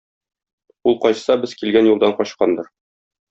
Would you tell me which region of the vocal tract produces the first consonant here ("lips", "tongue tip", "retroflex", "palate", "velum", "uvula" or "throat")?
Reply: tongue tip